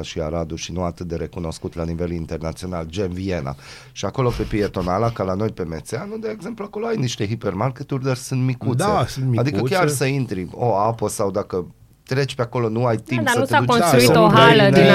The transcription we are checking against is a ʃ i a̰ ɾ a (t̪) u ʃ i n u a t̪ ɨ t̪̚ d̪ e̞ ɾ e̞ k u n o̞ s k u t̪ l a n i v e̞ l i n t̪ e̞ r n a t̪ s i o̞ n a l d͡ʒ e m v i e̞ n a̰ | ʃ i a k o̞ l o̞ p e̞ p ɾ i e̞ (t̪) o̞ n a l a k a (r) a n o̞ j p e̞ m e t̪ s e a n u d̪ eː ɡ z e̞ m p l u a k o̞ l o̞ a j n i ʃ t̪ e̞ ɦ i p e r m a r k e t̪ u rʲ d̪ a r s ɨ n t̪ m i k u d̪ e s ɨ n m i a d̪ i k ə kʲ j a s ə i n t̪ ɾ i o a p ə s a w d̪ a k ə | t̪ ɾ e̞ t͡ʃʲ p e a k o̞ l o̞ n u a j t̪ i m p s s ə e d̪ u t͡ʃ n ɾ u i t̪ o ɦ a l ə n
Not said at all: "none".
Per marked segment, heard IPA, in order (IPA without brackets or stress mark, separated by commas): d̪, t̪, l